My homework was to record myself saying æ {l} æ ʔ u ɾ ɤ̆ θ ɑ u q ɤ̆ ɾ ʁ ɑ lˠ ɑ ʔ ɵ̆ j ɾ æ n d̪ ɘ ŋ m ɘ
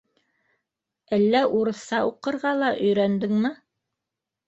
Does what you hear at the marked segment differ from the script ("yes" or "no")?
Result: yes